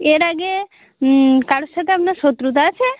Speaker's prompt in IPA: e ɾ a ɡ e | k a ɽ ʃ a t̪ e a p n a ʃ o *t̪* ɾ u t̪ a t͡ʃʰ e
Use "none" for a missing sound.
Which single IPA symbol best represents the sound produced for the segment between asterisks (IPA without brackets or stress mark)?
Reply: t̪